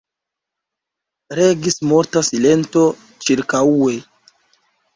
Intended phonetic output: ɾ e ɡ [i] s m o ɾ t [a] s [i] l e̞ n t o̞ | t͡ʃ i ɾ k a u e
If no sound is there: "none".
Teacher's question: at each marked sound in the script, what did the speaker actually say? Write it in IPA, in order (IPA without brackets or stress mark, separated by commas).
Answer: i, a, i